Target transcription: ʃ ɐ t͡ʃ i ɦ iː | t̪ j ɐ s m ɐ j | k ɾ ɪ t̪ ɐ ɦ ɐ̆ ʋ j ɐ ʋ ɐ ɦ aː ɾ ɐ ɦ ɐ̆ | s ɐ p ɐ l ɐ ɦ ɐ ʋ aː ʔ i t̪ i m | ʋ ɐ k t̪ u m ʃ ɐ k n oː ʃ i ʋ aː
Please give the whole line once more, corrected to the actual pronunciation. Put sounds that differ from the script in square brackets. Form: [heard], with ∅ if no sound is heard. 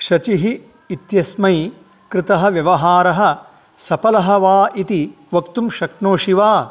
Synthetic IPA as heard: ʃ ɐ t͡ʃ i ɦ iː | t̪ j ɐ s m ɐ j | k ɾ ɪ t̪ ɐ ɦ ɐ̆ ʋ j ɐ ʋ ɐ ɦ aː ɾ ɐ ɦ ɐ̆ | s ɐ p ɐ l ɐ ɦ ɐ ʋ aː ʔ i t̪ i [∅] | ʋ ɐ k t̪ u m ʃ ɐ k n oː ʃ i ʋ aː